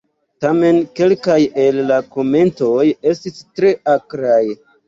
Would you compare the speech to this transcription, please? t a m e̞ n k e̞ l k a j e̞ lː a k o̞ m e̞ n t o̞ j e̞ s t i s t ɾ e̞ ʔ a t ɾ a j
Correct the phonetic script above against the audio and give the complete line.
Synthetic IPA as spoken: t a m e̞ n k e̞ l k a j e̞ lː a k o̞ m e̞ n t o̞ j e̞ s t i s t ɾ e̞ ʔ a k ɾ a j